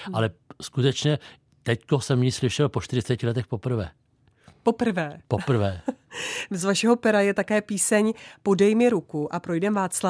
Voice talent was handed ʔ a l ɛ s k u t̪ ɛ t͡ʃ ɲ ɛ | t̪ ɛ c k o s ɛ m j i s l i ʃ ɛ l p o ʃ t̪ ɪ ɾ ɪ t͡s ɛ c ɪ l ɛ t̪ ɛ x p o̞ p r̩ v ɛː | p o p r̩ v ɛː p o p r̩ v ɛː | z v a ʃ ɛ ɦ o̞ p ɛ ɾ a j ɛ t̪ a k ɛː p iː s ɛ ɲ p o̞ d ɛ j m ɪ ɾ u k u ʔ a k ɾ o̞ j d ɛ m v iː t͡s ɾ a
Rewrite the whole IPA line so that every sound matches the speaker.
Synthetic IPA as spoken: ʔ a l ɛ s k u t̪ ɛ t͡ʃ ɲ ɛ | t̪ ɛ c k o s ɛ m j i s l ɪ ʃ ɛ l p o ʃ t̪ ɪ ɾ ɪ t͡s ɛ c ɪ l ɛ t̪ ɛ x p o̞ p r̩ v ɛː | p o p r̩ v ɛː p o p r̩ v ɛː | z v a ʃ ɛ ɦ o̞ p ɛ ɾ a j ɛ t̪ a k ɛː p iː s ɛ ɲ p o̞ d ɛ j m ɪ ɾ u k u ʔ a p ɾ o̞ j d ɛ m v aː t͡s l a